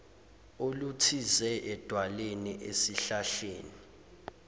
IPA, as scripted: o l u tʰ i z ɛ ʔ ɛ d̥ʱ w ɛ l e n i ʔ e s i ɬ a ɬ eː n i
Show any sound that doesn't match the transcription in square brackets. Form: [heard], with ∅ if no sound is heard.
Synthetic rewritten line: o l u tʰ i z ɛ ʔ ɛ d̥ʱ w [a] l e n i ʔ e s i ɬ a ɬ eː n i